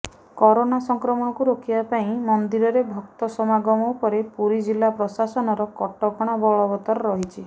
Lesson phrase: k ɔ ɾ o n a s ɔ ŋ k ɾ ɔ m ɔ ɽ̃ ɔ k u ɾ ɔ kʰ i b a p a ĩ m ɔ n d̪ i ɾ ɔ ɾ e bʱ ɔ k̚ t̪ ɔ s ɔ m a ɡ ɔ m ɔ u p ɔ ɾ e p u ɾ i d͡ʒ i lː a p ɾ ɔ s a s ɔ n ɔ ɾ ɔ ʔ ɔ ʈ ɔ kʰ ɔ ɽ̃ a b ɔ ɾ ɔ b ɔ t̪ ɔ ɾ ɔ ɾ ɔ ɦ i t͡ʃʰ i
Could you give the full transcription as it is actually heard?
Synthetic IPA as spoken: k ɔ ɾ o n a s ɔ ŋ k ɾ ɔ m ɔ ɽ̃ ɔ k u ɾ o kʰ i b a p a ĩ m ɔ n d̪ i ɾ ɔ ɾ e bʱ ɔ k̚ t̪ ɔ s ɔ m a ɡ ɔ m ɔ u p ɔ ɾ e p u ɾ i d͡ʒ i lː a p ɾ ɔ s a s ɔ n ɔ ɾ ɔ k ɔ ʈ ɔ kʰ ɔ ɽ̃ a b ɔ ɭ ɔ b ɔ t̪ ɔ ɾ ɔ ɾ ɔ ɦ i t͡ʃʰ i